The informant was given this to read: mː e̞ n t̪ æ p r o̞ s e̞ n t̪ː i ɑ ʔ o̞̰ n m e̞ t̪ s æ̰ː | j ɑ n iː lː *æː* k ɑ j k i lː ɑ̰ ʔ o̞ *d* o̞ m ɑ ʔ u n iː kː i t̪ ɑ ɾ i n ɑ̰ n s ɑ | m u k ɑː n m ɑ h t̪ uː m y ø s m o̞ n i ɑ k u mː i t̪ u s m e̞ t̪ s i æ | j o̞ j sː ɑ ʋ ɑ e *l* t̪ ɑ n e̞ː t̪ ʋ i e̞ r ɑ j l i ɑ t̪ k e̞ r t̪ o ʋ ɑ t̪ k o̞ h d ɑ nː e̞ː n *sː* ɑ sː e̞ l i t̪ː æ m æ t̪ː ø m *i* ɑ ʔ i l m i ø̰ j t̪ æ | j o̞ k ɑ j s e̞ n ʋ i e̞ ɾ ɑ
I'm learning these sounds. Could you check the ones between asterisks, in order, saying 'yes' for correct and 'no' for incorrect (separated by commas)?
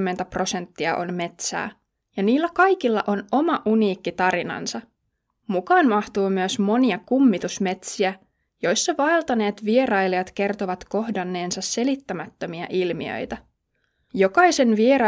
no, no, yes, no, yes